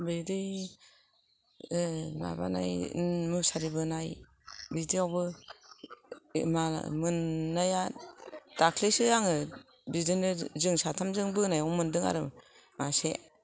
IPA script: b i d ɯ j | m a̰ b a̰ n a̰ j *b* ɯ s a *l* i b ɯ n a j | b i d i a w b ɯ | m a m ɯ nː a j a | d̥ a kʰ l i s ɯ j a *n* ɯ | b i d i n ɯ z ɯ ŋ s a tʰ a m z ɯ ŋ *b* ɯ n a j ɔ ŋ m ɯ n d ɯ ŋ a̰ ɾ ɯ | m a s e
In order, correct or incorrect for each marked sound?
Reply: incorrect, incorrect, incorrect, correct

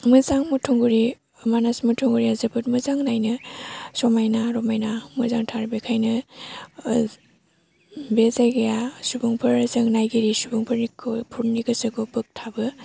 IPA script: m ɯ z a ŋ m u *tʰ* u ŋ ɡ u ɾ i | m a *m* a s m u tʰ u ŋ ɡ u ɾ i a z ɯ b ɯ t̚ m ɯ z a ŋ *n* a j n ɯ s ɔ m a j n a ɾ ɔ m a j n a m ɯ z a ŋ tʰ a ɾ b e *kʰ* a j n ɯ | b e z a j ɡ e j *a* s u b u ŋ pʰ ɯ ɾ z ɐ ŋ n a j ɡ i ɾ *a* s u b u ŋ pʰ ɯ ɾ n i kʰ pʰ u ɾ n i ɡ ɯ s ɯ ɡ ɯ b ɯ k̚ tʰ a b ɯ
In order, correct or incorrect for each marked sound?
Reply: correct, incorrect, correct, correct, correct, incorrect

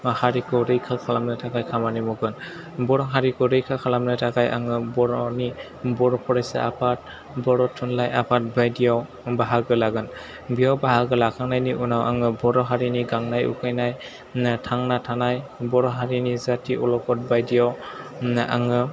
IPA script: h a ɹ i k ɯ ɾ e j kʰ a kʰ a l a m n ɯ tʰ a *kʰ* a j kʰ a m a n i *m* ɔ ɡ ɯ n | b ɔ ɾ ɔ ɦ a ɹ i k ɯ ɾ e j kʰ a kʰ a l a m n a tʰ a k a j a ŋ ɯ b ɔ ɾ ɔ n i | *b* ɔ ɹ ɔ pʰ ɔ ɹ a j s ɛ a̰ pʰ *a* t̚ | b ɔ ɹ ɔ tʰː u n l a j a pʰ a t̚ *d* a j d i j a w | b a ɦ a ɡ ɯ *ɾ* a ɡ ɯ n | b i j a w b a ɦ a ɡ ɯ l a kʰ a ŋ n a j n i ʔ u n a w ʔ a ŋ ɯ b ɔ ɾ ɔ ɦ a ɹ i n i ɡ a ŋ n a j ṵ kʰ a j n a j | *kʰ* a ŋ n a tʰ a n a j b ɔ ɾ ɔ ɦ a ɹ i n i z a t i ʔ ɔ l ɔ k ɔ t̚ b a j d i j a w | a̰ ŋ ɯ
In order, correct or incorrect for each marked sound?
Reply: incorrect, correct, correct, correct, incorrect, incorrect, incorrect

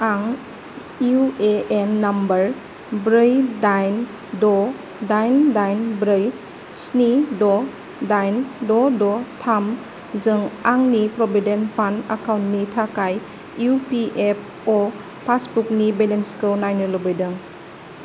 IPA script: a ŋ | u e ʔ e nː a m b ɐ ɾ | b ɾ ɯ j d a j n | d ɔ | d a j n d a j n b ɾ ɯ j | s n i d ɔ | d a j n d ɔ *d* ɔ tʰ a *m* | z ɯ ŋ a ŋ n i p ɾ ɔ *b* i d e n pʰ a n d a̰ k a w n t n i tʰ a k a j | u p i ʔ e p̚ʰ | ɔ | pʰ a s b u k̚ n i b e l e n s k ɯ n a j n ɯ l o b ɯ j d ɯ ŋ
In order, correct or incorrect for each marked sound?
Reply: correct, correct, correct

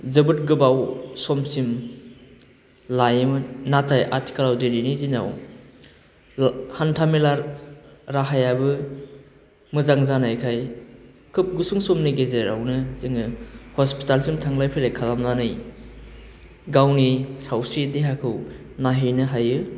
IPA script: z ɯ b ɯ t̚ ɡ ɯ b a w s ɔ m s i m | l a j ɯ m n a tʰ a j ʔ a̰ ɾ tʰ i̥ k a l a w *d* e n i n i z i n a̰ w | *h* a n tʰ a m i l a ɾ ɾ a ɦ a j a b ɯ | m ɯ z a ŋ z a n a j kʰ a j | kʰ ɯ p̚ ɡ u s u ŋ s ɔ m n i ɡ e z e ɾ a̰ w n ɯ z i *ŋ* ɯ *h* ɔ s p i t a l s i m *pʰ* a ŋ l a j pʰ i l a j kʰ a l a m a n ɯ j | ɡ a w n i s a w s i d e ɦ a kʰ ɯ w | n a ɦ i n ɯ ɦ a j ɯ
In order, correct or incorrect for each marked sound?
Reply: correct, correct, correct, correct, incorrect

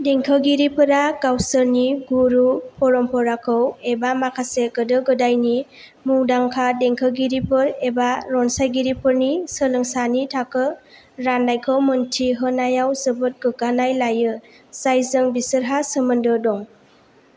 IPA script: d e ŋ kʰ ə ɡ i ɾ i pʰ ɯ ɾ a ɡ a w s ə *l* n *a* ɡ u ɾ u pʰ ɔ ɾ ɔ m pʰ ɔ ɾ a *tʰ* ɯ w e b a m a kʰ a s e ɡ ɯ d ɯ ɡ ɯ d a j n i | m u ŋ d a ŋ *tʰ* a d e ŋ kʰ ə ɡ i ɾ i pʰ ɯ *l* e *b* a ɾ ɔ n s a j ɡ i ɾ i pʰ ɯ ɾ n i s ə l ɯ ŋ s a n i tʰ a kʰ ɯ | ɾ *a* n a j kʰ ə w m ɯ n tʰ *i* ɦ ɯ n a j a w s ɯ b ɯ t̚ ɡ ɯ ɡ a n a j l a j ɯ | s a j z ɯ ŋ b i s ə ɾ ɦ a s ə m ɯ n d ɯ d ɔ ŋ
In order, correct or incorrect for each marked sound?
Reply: incorrect, incorrect, incorrect, incorrect, incorrect, correct, correct, correct

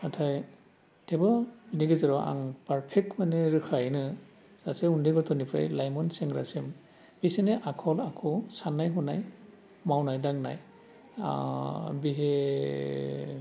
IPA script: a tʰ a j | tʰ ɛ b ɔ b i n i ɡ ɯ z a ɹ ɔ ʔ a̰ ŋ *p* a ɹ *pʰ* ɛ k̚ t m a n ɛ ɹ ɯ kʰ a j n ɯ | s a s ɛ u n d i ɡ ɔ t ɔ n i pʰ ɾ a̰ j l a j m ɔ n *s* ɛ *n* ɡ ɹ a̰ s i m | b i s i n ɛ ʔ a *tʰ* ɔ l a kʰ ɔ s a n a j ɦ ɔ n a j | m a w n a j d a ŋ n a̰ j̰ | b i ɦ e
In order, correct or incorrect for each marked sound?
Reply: correct, correct, correct, incorrect, incorrect

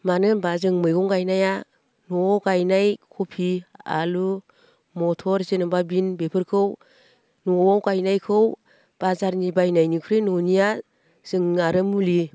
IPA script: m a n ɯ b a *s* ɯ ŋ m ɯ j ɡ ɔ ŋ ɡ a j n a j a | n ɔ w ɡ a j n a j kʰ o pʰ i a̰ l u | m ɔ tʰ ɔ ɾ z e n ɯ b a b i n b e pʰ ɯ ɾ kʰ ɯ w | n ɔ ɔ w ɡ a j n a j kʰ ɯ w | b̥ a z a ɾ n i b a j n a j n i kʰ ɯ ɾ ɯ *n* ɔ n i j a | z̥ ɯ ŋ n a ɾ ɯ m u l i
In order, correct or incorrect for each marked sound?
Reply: incorrect, correct

